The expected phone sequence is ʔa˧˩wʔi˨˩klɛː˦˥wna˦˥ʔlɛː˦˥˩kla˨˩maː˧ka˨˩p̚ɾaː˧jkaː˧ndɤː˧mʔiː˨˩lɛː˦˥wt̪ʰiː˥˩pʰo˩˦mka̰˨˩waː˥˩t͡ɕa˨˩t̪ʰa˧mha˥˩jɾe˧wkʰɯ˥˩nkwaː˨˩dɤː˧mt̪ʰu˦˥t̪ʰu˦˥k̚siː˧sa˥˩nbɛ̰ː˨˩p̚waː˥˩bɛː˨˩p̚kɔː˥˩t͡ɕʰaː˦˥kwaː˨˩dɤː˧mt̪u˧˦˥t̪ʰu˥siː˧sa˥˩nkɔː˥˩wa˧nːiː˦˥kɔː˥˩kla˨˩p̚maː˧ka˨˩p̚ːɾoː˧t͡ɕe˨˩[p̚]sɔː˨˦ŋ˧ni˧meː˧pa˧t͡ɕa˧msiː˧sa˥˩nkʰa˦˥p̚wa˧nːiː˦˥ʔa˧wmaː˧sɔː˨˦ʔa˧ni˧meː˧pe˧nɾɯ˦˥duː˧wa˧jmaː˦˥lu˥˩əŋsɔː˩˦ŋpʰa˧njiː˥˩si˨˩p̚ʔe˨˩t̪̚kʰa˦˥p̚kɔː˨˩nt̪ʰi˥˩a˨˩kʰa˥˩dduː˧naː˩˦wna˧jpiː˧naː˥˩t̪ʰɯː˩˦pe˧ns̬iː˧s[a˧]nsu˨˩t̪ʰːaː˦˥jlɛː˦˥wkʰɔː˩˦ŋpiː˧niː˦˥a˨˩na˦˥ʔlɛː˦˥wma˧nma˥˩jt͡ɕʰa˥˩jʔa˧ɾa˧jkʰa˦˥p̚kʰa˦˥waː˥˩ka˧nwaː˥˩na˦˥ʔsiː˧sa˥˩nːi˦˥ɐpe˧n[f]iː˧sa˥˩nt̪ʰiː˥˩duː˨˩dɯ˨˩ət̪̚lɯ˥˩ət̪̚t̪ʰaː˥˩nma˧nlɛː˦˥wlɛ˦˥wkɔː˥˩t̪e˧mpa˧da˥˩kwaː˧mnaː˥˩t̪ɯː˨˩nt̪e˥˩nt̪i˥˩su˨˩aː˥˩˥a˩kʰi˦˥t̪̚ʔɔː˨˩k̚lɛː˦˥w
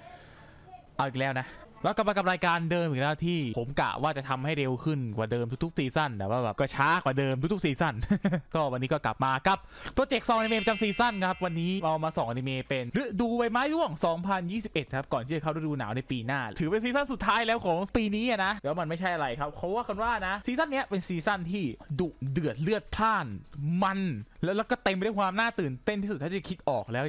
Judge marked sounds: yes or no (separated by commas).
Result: no, no, no